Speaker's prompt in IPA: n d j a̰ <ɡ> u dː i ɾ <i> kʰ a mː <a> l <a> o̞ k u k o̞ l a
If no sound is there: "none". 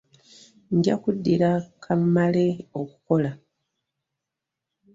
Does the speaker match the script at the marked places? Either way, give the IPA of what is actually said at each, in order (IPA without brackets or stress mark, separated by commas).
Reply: k, a, a, e